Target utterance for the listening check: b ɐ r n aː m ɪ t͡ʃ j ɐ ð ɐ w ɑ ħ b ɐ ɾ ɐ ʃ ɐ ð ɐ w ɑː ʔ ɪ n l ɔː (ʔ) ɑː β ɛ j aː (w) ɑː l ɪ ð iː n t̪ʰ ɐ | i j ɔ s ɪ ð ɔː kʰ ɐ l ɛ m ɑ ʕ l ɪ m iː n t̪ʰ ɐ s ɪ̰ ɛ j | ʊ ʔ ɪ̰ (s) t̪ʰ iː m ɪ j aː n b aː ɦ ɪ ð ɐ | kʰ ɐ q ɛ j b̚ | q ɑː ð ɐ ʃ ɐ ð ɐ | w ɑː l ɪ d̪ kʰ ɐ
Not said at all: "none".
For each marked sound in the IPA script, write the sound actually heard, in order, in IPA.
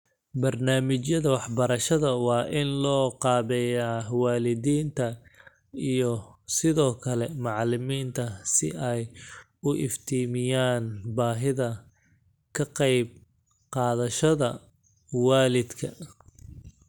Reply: q, w, f

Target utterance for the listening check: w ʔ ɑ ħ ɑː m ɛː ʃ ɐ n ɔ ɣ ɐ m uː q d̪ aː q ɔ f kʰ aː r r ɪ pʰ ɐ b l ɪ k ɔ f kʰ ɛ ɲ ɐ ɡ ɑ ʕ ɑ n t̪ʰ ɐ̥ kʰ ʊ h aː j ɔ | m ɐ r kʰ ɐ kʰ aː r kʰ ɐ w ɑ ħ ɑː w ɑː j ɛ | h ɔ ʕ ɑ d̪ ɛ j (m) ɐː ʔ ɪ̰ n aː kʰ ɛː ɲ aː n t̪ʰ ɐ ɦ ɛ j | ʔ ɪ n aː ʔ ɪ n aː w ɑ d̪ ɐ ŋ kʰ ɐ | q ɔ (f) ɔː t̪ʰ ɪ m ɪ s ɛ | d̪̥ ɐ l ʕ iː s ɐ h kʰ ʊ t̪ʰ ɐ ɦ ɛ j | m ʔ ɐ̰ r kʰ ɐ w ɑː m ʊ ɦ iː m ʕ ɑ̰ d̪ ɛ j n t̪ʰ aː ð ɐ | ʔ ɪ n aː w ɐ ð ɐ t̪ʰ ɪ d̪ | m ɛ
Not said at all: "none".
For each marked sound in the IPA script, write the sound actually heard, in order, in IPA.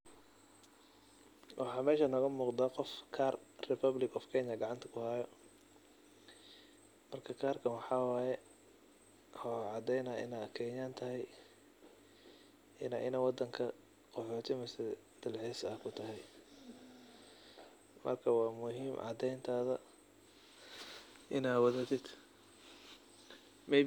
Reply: n, ħ

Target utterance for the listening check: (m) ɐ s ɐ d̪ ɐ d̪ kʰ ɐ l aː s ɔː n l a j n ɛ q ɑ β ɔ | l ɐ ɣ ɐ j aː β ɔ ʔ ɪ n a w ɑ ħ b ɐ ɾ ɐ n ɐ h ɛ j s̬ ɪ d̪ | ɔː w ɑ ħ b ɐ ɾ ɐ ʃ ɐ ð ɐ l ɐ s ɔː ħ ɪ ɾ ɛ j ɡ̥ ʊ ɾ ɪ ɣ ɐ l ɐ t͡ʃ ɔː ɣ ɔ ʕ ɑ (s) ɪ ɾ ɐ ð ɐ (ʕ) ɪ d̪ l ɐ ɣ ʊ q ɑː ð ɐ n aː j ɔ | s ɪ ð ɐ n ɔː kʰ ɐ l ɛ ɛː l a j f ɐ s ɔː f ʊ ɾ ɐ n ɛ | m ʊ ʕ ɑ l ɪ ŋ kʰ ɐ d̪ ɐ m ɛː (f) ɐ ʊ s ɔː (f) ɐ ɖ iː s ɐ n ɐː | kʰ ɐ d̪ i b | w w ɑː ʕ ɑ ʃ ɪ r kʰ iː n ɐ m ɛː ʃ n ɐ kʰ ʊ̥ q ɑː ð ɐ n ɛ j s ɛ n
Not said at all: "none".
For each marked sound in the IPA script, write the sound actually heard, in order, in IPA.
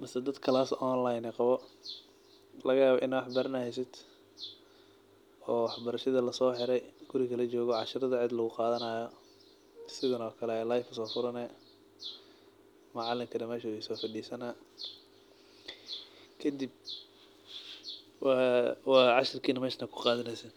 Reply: m, ʃ, ʕ, ʃ, f

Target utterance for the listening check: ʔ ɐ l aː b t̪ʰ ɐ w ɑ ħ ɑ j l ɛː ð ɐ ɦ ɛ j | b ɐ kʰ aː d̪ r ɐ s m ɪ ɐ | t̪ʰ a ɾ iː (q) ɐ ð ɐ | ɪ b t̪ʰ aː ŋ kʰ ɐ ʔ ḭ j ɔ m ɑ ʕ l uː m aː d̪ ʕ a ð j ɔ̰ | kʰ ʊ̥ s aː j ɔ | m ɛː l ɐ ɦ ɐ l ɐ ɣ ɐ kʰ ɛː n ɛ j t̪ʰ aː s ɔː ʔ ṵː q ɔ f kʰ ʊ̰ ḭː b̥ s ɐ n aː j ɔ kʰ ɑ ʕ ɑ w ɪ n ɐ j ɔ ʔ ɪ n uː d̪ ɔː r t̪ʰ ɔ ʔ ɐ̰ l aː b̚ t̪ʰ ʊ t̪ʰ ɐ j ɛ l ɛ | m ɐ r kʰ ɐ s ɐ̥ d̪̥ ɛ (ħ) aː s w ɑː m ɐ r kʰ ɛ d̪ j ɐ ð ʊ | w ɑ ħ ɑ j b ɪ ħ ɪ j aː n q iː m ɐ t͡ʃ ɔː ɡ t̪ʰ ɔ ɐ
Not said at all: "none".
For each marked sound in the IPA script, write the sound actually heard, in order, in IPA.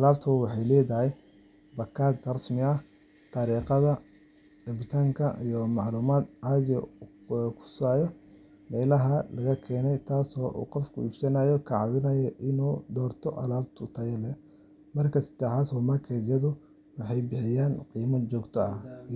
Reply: q, ħ

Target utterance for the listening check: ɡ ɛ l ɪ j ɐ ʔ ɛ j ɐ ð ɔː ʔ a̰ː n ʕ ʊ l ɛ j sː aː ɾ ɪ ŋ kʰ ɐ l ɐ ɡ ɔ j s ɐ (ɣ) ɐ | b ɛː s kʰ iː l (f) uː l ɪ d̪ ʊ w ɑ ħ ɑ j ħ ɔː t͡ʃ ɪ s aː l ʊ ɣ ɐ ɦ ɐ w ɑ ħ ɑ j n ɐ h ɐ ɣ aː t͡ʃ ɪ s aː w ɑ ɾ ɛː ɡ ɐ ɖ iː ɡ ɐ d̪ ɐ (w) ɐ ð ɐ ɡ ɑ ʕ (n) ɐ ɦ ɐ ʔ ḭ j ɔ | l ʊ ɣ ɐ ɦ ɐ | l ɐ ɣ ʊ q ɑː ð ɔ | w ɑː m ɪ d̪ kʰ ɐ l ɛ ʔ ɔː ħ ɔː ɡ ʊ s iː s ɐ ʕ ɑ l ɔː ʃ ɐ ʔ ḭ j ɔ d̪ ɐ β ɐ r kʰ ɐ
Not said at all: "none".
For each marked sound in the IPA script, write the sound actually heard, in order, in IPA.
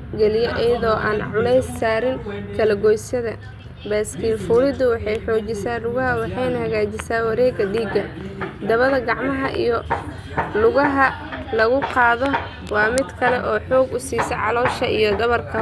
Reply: ð, f, β, m

